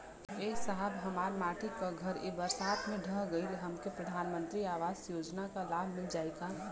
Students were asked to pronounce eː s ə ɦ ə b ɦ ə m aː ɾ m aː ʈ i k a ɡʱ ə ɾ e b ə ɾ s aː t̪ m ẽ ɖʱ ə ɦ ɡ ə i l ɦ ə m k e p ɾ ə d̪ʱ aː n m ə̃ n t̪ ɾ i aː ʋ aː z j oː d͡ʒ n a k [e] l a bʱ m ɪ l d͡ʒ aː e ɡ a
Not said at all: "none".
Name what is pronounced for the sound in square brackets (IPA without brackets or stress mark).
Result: a